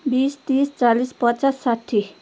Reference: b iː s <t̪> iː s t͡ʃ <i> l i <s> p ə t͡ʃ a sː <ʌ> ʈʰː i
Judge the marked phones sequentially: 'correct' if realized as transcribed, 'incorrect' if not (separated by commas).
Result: correct, incorrect, correct, incorrect